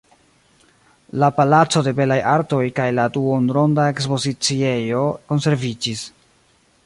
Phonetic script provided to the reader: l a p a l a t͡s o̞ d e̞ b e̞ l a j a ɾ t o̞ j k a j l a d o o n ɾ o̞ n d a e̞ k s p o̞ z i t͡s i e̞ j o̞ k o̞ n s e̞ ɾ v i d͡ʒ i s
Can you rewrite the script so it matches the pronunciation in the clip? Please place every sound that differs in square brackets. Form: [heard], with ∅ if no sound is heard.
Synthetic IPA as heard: l a p a l a t͡s o̞ d e̞ b e̞ l a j a ɾ t o̞ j k a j l a d [u] o n ɾ o̞ n d a e̞ k s p o̞ z i t͡s i e̞ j o̞ k o̞ n s e̞ ɾ v i d͡ʒ i s